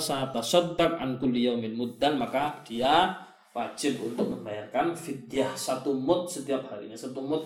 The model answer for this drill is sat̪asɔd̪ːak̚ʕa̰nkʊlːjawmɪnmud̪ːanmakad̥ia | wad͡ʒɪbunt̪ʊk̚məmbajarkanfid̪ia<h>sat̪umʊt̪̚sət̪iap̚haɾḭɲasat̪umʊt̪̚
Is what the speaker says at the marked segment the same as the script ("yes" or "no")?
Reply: yes